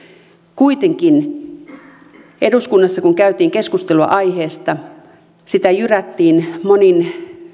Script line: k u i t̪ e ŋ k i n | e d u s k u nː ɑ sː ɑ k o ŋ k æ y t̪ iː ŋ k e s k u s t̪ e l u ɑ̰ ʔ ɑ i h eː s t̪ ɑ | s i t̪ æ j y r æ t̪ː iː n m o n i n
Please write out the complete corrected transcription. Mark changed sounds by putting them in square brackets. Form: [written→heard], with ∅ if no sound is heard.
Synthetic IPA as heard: k u i t̪ e ŋ k i n | e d u s k u nː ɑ sː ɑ k [o→u] ŋ k æ y t̪ iː ŋ k e s k u s t̪ e l u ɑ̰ ʔ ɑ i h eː s t̪ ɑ | s i t̪ æ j y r æ t̪ː iː n m o n i n